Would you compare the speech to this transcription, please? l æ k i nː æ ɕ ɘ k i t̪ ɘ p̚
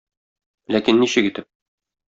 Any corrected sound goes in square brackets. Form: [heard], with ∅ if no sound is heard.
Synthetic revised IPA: l æ k i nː [i] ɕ ɘ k i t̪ ɘ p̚